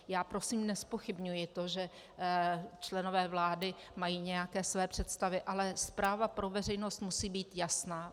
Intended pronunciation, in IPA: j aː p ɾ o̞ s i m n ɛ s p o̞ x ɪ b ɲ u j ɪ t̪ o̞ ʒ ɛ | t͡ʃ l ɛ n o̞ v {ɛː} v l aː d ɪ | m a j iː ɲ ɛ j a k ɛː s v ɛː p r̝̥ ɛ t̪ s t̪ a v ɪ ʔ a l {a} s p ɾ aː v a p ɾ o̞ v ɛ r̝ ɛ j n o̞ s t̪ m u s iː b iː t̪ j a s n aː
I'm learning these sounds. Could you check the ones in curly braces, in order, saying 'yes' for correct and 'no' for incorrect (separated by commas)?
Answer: yes, no